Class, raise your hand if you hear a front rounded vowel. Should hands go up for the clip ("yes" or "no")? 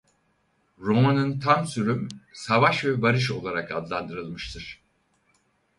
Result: yes